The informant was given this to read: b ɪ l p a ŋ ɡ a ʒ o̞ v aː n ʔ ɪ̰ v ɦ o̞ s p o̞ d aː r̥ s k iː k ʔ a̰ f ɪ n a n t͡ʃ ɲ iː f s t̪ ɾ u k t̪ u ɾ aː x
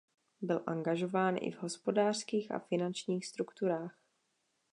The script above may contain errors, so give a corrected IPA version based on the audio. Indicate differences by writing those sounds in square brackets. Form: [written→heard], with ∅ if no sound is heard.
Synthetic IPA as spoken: b ɪ l [p→ʔ] a ŋ ɡ a ʒ o̞ v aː n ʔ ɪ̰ v ɦ o̞ s p o̞ d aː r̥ s k iː [k→x] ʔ a̰ f ɪ n a n t͡ʃ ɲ iː [f→x] s t̪ ɾ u k t̪ u ɾ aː x